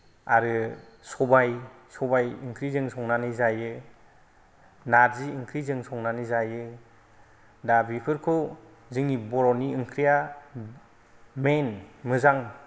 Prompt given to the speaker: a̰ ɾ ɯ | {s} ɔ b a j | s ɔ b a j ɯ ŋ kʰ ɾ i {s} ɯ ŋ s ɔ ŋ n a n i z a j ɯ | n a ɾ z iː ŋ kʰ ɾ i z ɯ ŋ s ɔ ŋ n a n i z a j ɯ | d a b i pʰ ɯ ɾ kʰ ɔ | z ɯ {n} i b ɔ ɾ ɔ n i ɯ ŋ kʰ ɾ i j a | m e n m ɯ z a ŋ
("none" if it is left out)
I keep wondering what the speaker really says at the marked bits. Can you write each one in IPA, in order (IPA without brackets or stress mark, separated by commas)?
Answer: s, z, ŋ